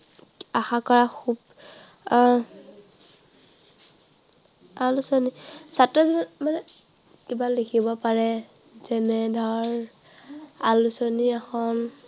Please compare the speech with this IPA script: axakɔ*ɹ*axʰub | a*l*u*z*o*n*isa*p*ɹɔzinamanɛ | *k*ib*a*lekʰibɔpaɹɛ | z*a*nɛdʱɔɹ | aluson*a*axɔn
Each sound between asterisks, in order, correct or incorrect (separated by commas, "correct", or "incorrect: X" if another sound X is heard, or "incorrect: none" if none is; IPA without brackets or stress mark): correct, correct, incorrect: s, correct, incorrect: t, correct, correct, incorrect: ɛ, incorrect: i